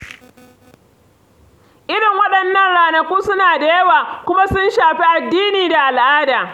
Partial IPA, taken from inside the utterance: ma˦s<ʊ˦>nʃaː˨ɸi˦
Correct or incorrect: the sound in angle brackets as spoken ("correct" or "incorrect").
correct